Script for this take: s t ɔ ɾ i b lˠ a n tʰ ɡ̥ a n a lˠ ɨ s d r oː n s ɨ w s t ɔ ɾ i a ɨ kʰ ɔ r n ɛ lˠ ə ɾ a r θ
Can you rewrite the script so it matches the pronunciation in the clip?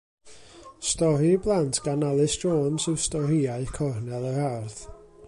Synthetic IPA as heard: s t ɔ ɾ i b lˠ a n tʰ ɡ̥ a n a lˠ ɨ s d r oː n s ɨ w s t ɔ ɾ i a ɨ kʰ ɔ r n ɛ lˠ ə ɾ a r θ